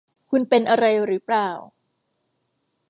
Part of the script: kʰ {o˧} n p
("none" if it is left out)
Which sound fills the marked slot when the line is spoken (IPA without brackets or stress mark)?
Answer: u˧